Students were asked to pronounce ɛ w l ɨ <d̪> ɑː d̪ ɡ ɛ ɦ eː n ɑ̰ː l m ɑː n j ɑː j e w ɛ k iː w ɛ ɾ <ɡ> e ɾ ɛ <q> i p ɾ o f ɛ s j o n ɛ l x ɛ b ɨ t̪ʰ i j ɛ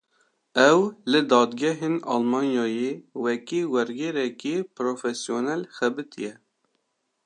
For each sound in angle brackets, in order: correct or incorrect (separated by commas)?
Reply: correct, correct, incorrect